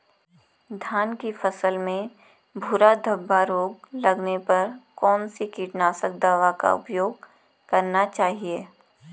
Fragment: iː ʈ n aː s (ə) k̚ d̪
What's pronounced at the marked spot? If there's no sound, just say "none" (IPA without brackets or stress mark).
ə